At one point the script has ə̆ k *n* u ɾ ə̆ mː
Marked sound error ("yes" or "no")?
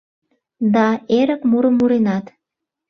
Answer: yes